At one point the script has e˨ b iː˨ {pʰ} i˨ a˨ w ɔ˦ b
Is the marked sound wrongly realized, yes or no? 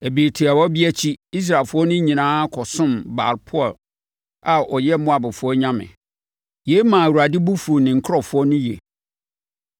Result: yes